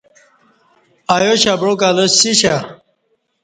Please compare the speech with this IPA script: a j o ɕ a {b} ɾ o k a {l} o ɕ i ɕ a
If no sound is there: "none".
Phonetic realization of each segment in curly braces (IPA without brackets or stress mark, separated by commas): b, l